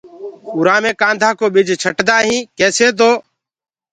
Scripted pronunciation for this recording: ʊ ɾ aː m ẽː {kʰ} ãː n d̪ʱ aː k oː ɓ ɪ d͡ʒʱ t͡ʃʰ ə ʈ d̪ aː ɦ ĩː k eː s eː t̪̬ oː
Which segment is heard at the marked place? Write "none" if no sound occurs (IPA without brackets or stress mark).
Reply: k